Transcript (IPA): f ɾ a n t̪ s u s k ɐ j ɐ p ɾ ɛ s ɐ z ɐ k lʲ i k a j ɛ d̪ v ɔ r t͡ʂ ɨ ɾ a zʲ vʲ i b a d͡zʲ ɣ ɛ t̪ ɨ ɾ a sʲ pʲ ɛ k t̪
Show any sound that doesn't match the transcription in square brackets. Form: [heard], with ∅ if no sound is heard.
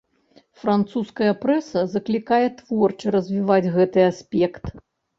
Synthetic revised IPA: f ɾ a n t̪ s u s k ɐ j ɐ p ɾ ɛ s ɐ z ɐ k lʲ i k a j ɛ [t̪] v ɔ r t͡ʂ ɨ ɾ [ɐ] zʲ vʲ i [v] a d͡zʲ ɣ ɛ t̪ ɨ [∅] a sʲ pʲ ɛ k t̪